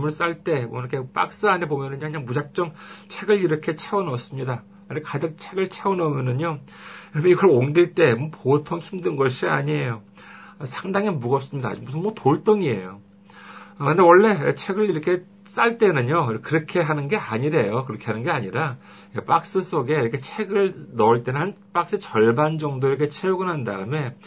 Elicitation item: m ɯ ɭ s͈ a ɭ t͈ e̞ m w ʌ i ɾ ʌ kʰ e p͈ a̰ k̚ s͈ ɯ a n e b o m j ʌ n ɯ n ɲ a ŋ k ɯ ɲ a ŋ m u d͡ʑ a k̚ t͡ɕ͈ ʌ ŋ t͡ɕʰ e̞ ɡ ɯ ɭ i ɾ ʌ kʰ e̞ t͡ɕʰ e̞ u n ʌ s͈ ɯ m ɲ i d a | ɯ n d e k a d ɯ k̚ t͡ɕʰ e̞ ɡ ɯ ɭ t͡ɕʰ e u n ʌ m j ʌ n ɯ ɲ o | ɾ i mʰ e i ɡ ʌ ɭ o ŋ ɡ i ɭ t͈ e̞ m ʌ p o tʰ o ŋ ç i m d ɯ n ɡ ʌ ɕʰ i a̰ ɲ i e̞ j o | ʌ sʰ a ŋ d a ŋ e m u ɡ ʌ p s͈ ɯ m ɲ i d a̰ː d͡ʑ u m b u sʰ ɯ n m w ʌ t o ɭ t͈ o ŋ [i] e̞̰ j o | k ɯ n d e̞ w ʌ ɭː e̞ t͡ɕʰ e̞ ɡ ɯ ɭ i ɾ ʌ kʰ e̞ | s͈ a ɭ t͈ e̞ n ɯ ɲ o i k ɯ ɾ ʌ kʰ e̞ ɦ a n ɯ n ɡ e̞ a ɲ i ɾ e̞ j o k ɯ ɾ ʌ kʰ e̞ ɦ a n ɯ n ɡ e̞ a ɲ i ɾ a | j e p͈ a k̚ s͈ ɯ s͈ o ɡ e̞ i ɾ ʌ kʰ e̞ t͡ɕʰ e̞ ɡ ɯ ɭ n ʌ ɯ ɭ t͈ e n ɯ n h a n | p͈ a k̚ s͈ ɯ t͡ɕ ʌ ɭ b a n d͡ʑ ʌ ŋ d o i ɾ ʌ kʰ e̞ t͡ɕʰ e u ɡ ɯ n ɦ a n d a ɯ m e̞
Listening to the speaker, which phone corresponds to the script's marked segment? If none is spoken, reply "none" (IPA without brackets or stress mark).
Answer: i